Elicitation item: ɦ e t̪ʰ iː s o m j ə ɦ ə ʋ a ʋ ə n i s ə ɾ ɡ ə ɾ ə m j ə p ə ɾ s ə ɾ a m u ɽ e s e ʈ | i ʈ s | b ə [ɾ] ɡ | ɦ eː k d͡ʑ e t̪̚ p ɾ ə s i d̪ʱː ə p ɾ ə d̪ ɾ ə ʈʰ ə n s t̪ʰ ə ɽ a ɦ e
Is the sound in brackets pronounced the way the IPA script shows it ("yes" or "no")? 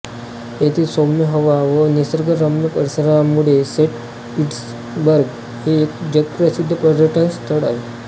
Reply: yes